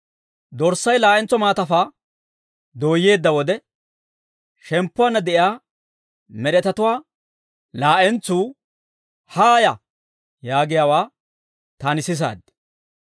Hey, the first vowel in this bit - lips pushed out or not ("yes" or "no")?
yes